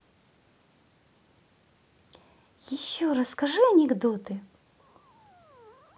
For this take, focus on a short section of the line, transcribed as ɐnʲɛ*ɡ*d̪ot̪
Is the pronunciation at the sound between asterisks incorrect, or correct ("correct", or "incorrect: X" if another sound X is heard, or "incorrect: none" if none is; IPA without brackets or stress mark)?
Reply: correct